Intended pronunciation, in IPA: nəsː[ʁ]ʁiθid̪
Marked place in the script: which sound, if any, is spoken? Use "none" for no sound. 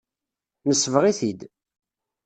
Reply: v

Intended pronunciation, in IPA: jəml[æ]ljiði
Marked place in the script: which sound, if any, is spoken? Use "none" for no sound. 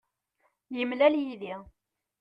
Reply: æ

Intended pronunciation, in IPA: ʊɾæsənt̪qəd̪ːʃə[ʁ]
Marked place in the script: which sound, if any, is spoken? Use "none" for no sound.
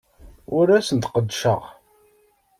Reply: ʁ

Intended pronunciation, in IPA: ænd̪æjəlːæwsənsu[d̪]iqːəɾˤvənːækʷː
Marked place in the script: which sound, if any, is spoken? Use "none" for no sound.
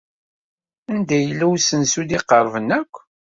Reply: d̪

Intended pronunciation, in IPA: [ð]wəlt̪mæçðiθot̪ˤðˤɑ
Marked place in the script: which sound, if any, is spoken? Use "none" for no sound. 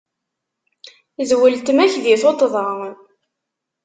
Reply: z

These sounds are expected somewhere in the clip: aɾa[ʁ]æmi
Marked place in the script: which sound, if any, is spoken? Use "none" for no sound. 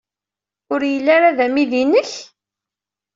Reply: ð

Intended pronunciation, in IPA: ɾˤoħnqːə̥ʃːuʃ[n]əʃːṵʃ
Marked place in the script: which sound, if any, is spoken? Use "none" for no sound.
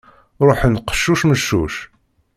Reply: m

